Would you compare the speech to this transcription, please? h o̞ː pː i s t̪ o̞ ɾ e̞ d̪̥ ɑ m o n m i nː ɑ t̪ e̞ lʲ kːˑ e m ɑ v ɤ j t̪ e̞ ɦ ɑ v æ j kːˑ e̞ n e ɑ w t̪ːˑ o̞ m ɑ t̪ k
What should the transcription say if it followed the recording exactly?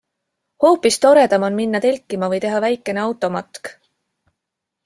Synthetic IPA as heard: h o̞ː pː i s t̪ o̞ ɾ e̞ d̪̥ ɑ m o n m i nː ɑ t̪ e̞ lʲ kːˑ i m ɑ v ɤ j t̪ e̞ ɦ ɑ v æ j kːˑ e̞ n e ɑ w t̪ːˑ o̞ m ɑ t̪ k